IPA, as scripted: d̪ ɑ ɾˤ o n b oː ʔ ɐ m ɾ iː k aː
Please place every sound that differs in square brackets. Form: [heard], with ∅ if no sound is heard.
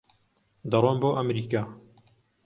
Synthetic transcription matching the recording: d̪ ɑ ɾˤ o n b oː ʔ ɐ m ɾ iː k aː

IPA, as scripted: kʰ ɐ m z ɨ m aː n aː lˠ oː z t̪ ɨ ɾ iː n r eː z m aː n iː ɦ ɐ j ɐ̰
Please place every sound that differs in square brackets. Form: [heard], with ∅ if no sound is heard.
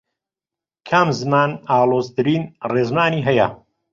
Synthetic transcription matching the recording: kʰ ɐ m z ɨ m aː n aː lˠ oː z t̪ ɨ ɾ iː n r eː z m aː n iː ɦ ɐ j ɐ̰

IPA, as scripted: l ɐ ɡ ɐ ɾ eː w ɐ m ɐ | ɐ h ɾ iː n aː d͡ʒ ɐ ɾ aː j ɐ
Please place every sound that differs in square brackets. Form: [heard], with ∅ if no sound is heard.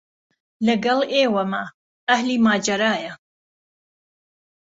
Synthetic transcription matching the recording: l ɐ ɡ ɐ [l] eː w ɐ m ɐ | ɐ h [l] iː [m] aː d͡ʒ ɐ ɾ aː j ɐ

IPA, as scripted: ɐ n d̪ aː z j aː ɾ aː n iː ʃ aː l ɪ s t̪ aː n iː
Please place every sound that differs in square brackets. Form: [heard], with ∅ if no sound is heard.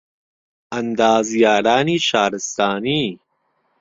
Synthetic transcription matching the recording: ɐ n d̪ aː z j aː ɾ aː n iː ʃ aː [ɾ] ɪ s t̪ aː n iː

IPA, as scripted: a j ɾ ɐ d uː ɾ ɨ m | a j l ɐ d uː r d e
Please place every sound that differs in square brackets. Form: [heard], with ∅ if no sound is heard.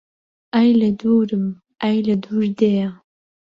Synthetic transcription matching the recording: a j [l] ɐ d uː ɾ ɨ m | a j l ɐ d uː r d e

